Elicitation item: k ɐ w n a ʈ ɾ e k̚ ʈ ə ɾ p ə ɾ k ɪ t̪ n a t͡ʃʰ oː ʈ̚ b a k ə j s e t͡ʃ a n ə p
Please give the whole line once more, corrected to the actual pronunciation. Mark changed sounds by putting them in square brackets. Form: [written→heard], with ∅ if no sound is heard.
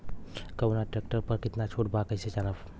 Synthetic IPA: k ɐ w n a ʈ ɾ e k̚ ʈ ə ɾ p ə ɾ k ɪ t̪ n a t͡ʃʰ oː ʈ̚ b a k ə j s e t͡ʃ a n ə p